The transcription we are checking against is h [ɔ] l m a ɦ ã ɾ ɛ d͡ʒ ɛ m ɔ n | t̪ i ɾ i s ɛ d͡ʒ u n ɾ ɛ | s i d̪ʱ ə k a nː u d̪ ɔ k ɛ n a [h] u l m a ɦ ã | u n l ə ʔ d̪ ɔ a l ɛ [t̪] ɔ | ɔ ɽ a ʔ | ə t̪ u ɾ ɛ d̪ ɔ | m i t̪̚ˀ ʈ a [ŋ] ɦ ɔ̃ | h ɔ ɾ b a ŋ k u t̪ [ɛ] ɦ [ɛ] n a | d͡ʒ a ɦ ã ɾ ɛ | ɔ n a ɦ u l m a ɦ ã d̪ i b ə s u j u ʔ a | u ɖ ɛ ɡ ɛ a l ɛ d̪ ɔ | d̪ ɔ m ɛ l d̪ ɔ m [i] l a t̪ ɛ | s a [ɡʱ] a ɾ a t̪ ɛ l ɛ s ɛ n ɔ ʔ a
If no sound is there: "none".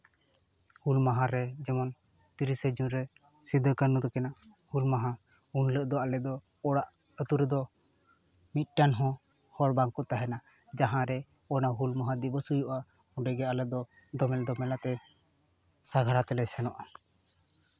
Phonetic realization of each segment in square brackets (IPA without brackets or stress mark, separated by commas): u, h, d̪, n, a, ɛ, ɛ, ɡʱ